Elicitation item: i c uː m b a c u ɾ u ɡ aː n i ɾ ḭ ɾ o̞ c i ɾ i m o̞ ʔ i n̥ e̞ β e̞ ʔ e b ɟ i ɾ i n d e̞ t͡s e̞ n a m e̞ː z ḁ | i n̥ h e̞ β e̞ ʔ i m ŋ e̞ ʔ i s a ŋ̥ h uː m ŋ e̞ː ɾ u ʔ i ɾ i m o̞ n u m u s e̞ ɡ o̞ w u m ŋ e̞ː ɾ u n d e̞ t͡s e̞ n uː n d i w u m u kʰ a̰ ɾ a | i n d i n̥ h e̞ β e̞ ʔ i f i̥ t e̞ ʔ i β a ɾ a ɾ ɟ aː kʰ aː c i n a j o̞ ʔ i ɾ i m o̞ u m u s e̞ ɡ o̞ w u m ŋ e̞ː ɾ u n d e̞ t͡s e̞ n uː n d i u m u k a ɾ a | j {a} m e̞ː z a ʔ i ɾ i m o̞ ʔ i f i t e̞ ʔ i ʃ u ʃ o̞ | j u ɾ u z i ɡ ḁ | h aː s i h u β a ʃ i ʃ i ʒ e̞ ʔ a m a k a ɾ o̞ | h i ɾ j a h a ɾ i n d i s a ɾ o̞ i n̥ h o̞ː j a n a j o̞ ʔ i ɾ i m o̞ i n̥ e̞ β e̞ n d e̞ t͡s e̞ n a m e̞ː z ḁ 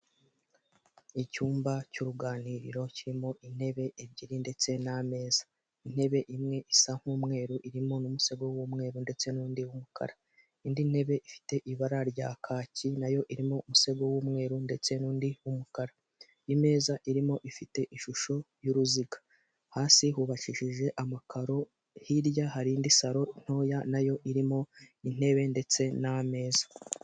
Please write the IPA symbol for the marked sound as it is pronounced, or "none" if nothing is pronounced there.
i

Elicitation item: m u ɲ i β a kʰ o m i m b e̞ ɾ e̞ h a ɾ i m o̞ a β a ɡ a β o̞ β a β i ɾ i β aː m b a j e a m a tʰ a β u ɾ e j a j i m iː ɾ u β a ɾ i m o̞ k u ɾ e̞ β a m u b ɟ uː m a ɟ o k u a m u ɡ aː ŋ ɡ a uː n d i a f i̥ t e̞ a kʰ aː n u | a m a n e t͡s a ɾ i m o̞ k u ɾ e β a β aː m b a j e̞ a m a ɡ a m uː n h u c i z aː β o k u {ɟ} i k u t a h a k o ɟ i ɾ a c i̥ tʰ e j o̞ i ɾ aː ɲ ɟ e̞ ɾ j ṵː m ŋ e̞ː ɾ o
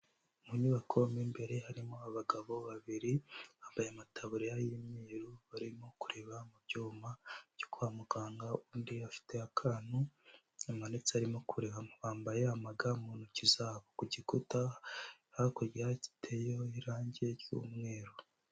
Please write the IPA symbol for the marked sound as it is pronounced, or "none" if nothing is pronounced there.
ɟ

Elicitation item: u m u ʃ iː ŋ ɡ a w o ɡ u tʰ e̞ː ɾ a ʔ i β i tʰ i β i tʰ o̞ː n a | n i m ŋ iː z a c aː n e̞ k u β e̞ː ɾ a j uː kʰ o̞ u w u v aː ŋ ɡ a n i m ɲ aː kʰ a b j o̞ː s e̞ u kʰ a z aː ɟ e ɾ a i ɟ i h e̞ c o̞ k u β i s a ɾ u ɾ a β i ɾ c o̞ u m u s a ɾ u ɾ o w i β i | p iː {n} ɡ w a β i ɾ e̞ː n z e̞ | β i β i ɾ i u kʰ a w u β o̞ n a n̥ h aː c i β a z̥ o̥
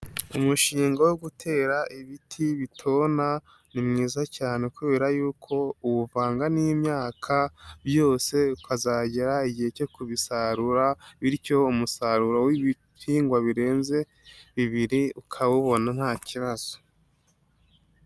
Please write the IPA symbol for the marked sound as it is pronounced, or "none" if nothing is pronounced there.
ŋ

